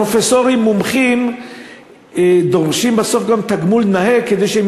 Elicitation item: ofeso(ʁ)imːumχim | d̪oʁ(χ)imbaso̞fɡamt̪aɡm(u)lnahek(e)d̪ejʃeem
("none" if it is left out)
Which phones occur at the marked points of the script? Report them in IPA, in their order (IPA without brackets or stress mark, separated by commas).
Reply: ʁ, ʃ, u, e